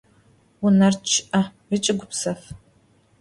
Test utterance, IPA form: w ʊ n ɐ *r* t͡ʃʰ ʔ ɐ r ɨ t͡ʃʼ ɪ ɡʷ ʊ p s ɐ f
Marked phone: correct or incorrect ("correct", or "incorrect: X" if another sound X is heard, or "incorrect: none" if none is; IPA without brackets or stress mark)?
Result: correct